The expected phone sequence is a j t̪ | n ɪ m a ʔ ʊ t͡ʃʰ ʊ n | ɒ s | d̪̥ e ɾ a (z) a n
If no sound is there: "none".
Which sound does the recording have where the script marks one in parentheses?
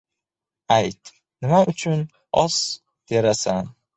s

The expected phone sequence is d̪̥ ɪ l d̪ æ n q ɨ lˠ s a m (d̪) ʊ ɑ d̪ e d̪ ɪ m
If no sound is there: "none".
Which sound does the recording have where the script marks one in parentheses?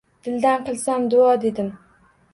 d̪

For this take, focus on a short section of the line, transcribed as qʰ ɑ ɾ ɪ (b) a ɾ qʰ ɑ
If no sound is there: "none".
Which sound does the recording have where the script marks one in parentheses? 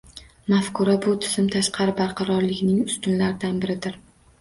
b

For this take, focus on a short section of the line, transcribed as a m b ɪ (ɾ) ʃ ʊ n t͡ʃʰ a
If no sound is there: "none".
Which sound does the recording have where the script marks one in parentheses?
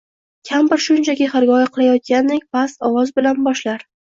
ɾ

